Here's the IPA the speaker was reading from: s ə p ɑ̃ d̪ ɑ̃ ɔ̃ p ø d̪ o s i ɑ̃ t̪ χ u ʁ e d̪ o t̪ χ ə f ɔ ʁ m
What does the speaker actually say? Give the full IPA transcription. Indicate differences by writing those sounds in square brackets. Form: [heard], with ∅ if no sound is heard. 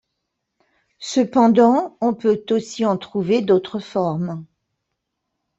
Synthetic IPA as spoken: s ə p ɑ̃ d̪ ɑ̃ ɔ̃ p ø [t̪] o s i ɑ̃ t̪ χ u [v] e d̪ o t̪ χ ə f ɔ ʁ m

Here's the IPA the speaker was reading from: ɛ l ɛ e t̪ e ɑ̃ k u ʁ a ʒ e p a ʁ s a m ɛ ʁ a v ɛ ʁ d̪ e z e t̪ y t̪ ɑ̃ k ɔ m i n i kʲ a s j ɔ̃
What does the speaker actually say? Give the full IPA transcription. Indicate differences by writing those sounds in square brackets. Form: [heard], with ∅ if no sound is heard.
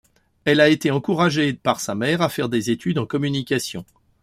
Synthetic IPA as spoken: ɛ l [a] e t̪ e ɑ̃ k u ʁ a ʒ e p a ʁ s a m ɛ ʁ a [f] ɛ ʁ d̪ e z e t̪ y [d̪] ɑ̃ k ɔ m [y] n i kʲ a s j ɔ̃

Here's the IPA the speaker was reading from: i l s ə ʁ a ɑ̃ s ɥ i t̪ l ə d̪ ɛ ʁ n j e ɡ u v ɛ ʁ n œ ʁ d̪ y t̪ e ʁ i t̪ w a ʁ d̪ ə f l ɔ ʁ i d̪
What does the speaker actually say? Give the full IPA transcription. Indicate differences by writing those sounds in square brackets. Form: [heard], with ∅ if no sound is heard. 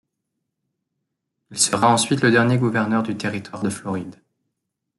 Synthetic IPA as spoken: i l s ə ʁ a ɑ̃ s ɥ i t̪ l ə d̪ ɛ ʁ n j e ɡ u v ɛ ʁ n œ ʁ d̪ y t̪ e ʁ i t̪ w a ʁ d̪ ə f l ɔ ʁ i d̪

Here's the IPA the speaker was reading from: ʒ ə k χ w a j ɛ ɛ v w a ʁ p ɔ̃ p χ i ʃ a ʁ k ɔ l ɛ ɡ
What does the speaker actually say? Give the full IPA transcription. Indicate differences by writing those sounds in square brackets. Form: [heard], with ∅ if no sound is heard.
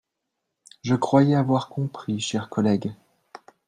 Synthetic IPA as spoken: ʒ ə k χ w a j ɛ [a] v w a ʁ [k] ɔ̃ p χ i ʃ [ɛ] ʁ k ɔ l ɛ ɡ

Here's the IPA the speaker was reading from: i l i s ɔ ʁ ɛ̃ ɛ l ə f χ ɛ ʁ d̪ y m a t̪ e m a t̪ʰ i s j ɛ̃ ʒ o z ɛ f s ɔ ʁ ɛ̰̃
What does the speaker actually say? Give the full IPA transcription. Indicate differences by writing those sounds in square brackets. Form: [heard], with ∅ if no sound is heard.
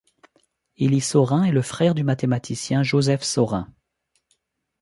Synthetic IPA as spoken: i l i s ɔ ʁ ɛ̃ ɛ l ə f χ ɛ ʁ d̪ y m a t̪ e m a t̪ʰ i s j ɛ̃ ʒ o z ɛ f s ɔ ʁ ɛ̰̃

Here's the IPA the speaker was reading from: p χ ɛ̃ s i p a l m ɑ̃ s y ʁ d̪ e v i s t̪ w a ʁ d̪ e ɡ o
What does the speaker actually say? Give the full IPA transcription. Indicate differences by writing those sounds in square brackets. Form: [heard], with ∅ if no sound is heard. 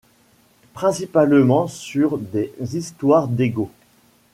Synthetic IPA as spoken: p χ ɛ̃ s i p a l m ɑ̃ s y ʁ d̪ e [z] i s t̪ w a ʁ d̪ e ɡ o

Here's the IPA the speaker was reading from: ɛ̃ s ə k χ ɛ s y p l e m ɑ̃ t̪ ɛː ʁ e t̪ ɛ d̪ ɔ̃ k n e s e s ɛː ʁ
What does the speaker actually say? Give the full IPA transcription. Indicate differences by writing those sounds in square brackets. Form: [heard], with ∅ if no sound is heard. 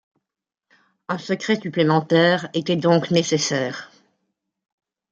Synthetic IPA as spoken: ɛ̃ s ə k χ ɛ s y p l e m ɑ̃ t̪ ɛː ʁ e t̪ ɛ d̪ ɔ̃ k n e s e s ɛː ʁ

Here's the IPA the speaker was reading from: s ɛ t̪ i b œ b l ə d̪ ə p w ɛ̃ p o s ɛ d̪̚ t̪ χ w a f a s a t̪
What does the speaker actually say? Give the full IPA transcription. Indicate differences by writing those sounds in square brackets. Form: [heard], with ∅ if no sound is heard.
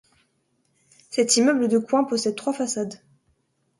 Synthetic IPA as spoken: s ɛ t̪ i [m] œ b l ə d̪ ə [k] w ɛ̃ p [ɔ] s ɛ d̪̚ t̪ χ w a f a s a [d̪]

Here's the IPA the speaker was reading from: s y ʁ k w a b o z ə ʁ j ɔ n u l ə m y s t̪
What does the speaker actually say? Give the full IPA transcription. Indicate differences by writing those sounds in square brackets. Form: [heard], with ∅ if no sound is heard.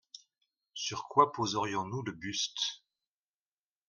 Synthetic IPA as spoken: s y ʁ k w a [p] o z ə ʁ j [ɔ̃] n u l ə [b] y s t̪

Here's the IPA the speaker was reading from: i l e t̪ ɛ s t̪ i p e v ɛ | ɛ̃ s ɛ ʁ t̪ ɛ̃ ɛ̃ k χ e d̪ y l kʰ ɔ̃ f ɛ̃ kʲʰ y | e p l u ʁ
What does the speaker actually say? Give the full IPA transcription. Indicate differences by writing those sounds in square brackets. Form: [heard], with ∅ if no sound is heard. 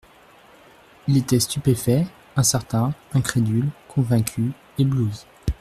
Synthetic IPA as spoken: i l e t̪ ɛ s t̪ [y] p e [f] ɛ | ɛ̃ s ɛ ʁ t̪ ɛ̃ ɛ̃ k χ e d̪ y l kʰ ɔ̃ [v] ɛ̃ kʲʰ y | e [b] l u [z]

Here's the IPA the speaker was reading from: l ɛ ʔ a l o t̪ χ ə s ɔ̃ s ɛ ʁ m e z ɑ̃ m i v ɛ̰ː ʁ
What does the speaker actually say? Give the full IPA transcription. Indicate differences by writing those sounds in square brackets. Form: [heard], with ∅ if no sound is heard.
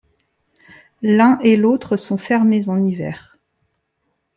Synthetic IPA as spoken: l [ɛ̃] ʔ [e] l o t̪ χ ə s ɔ̃ [f] ɛ ʁ m e z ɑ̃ [n] i v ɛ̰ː ʁ

